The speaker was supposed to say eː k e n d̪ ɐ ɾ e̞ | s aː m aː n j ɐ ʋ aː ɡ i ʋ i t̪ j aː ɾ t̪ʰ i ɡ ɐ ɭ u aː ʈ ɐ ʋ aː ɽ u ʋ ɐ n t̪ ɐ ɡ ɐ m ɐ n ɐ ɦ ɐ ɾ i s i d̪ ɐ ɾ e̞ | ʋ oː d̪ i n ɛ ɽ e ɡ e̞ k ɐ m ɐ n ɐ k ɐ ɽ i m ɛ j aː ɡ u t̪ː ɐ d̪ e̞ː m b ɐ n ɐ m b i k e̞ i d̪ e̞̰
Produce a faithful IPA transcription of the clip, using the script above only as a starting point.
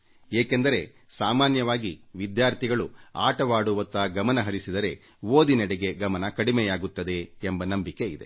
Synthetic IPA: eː k e n d̪ ɐ ɾ e̞ | s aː m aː n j ɐ ʋ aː ɡ i ʋ i d̪ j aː ɾ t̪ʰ i ɡ ɐ ɭ u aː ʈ ɐ ʋ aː ɽ u ʋ ɐ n t̪ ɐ ɡ ɐ m ɐ n ɐ ɦ ɐ ɾ i s i d̪ ɐ ɾ e̞ | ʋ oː d̪ i n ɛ ɽ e ɡ e̞ ɡ ɐ m ɐ n ɐ k ɐ ɽ i m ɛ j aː ɡ u t̪ː ɐ d̪ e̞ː m b ɐ n ɐ m b i k e̞ i d̪ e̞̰